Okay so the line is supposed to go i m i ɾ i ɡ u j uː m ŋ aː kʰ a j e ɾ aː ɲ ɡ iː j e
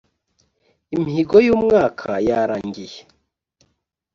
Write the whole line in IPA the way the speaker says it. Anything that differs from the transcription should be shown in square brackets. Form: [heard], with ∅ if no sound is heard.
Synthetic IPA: i m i [∅] i ɡ [o] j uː m ŋ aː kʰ a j [a] ɾ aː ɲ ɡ [i] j e